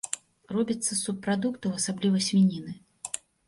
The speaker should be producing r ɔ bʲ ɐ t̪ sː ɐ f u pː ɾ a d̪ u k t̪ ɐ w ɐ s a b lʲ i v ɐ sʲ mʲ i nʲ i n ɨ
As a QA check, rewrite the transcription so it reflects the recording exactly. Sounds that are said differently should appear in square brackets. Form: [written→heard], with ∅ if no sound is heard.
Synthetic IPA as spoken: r ɔ bʲ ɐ t̪ sː ɐ [f→s] u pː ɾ a d̪ u k t̪ ɐ w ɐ s a b lʲ i v ɐ sʲ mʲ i nʲ i n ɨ